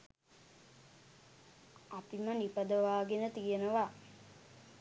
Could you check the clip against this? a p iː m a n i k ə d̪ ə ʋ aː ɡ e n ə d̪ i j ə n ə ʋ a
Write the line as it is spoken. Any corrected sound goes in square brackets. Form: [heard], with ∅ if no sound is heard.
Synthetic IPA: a p [i] m [ə] n i [p] ə d̪ ə ʋ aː ɡ e n ə [t̪] i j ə n ə ʋ a